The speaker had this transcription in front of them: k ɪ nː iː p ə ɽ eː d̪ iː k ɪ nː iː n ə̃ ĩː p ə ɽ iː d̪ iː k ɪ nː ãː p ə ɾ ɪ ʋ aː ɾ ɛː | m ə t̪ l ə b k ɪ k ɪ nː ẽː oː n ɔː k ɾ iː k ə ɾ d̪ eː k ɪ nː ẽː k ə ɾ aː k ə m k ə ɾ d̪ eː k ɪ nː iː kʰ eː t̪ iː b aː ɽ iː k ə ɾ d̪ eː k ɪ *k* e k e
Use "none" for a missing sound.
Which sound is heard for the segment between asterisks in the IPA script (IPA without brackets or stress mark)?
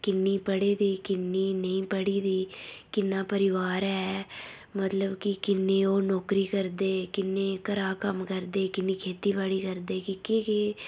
k